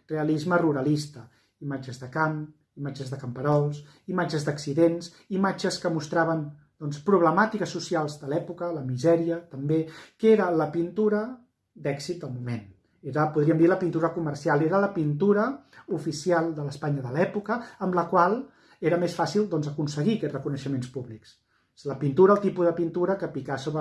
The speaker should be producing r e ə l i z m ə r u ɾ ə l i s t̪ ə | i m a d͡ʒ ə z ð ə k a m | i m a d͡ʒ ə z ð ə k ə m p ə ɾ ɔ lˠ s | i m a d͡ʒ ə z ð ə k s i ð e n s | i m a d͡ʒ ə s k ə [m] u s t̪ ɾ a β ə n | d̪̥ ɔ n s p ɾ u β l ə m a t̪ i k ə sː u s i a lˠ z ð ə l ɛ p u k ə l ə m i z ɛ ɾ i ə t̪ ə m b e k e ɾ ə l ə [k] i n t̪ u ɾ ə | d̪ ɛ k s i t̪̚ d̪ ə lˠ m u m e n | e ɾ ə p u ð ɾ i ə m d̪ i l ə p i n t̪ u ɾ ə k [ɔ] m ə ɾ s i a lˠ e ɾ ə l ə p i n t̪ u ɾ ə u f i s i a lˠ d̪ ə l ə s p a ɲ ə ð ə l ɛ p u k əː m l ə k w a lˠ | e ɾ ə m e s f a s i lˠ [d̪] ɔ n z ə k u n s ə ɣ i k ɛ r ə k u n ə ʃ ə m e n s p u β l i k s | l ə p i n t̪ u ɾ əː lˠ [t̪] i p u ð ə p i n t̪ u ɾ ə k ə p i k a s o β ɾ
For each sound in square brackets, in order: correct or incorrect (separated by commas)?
correct, incorrect, incorrect, correct, correct